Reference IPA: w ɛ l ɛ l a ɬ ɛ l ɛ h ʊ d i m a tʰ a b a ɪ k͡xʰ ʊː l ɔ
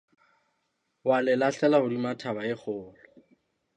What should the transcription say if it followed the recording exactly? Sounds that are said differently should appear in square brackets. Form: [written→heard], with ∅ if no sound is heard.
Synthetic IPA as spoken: w [ɛ→a] l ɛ l a ɬ ɛ l [ɛ→a] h ʊ d i m a tʰ a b a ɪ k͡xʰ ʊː l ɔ